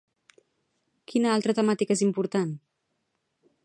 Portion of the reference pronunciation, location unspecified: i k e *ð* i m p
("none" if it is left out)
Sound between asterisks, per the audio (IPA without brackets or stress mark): z